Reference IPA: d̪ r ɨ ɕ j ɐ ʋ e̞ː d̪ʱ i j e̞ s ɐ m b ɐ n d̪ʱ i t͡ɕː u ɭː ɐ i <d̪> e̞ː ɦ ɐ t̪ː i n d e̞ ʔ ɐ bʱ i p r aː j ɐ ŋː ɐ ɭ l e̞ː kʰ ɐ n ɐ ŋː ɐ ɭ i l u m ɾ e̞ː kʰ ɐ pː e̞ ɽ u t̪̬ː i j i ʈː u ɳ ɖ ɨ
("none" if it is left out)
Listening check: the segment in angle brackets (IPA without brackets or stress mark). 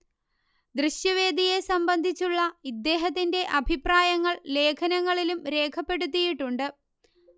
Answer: d̪ː